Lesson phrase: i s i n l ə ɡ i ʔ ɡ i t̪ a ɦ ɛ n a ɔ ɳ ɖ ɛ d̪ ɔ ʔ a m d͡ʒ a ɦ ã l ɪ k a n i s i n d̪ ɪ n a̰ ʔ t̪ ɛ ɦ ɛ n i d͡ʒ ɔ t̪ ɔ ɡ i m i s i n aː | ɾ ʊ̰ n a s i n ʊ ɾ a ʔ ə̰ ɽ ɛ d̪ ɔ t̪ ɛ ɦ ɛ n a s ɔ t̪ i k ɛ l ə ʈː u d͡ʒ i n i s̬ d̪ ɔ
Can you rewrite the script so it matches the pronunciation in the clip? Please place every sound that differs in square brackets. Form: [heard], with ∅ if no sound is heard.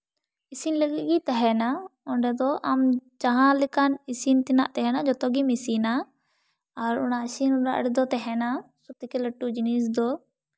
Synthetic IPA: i s i n l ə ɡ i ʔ ɡ i t̪ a ɦ ɛ n a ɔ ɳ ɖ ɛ d̪ ɔ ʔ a m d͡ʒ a ɦ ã l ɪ k a n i s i n [t̪] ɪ n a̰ ʔ t̪ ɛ ɦ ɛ n [a] d͡ʒ ɔ t̪ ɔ ɡ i m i s i n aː | ɾ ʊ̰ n a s i n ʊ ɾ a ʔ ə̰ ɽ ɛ d̪ ɔ t̪ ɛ ɦ ɛ n a s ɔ t̪ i k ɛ l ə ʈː u d͡ʒ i n i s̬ d̪ ɔ